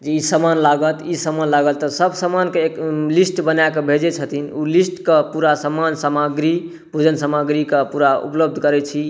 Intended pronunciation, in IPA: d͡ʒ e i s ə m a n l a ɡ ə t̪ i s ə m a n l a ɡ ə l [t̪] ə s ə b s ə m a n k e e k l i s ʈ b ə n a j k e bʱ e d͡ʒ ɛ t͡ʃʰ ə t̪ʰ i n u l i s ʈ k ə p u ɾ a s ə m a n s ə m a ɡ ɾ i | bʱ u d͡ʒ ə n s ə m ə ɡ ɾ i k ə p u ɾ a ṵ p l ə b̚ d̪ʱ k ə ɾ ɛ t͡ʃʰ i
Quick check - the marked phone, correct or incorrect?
correct